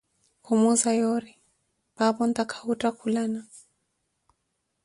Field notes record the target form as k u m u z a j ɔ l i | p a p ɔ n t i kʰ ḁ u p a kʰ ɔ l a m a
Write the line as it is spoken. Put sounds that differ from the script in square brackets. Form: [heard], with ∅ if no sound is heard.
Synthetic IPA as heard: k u m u z a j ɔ [ɾ] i | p a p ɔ n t [a] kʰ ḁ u [t] a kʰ [u] l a [n] a